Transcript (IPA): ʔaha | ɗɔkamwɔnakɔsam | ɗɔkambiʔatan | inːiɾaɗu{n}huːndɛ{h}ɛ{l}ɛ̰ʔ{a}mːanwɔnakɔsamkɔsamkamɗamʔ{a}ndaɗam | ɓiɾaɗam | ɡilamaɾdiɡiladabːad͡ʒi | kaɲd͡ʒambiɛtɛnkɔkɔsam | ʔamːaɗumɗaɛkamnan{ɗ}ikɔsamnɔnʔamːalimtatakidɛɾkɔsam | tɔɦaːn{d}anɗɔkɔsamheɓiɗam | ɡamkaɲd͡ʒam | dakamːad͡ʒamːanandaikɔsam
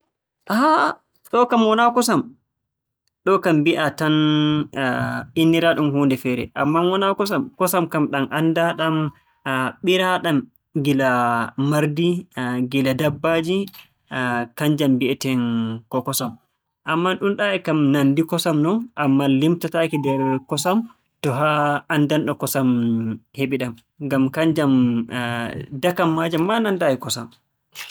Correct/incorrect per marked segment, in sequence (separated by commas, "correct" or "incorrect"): incorrect, incorrect, incorrect, correct, correct, incorrect, correct